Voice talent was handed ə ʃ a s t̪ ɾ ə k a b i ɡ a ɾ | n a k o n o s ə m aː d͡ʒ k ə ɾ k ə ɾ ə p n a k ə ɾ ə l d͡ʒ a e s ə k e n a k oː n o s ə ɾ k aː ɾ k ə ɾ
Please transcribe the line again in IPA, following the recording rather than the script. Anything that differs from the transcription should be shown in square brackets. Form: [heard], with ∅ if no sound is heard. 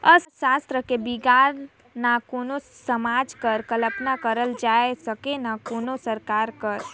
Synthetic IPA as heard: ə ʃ a s t̪ ɾ ə k [e] b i ɡ a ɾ | n a k o n o s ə m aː d͡ʒ k ə ɾ k ə [l] ə p n a k ə ɾ ə l d͡ʒ a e s ə k e n a k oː n o s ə ɾ k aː ɾ k ə ɾ